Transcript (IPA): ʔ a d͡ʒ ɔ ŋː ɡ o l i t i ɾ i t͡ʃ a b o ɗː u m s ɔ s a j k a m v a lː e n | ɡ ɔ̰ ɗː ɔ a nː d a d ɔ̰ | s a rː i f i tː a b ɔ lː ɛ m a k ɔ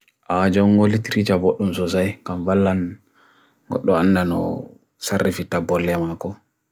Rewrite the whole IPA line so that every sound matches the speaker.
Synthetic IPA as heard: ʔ a d͡ʒ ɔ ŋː ɡ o l i t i ɾ i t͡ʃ a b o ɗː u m s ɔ s a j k a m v a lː a n | ɡ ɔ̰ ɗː ɔ a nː d a n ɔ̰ | s a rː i f i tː a b ɔ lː ɛ m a k ɔ